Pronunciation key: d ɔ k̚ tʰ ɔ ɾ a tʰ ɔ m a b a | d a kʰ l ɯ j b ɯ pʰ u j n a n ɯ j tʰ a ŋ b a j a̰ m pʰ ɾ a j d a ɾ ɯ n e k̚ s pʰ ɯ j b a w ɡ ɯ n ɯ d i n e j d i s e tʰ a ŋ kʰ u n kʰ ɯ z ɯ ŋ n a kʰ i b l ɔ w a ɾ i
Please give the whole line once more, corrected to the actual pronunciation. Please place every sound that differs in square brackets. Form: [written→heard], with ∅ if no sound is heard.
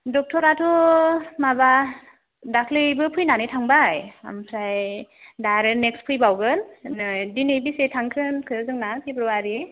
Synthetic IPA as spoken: d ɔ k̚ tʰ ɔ ɾ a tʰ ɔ m a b a | d a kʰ l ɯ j b ɯ pʰ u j n a n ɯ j tʰ a ŋ b a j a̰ m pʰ ɾ a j d a ɾ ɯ n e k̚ s pʰ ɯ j b a w ɡ ɯ n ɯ d i n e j [d→b] i s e tʰ a ŋ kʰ [u→ɯ] n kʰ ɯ z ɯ ŋ n a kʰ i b [l→ɾ] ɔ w a ɾ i